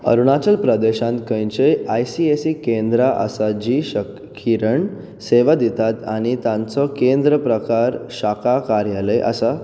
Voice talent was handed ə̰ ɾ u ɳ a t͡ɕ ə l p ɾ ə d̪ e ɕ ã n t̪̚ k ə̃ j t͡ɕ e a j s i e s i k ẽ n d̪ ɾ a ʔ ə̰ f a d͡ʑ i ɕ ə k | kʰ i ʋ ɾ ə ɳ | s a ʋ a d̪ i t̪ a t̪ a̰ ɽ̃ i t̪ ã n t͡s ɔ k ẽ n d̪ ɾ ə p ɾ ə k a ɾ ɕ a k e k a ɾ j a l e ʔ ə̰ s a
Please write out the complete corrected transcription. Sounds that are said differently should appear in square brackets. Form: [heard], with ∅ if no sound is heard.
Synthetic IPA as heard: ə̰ ɾ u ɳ a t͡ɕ ə l p ɾ ə d̪ e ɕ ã n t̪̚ k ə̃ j t͡ɕ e a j s i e s i k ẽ n d̪ ɾ a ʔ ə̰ [s] a d͡ʑ i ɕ ə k | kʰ i [∅] ɾ ə ɳ | s [e] ʋ a d̪ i t̪ a t̪ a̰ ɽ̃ i t̪ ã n t͡s ɔ k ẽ n d̪ ɾ ə p ɾ ə k a ɾ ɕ a k [a] k a ɾ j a l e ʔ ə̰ s a